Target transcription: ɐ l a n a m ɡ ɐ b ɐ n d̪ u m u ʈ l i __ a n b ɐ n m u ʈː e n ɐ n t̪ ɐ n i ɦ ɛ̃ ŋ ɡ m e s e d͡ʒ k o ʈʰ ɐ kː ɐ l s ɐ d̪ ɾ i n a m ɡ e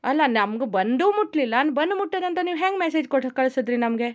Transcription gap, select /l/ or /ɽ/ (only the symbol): l